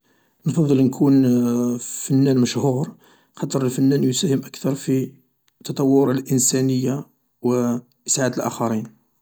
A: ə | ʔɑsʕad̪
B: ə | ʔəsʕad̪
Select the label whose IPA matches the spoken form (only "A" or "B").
B